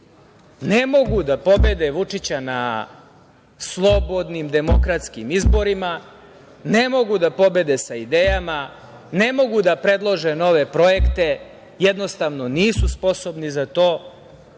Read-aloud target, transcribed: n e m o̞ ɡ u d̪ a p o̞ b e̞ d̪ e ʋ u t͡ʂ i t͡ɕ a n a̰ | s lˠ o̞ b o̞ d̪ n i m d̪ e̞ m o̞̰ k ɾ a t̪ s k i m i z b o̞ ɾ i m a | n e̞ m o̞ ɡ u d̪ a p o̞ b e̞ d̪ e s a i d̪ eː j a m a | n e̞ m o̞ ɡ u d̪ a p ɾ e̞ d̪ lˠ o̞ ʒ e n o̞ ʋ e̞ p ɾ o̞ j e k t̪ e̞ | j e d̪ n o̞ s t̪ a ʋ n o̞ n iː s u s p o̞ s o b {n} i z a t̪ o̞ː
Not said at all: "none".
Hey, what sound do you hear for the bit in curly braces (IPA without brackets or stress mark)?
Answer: n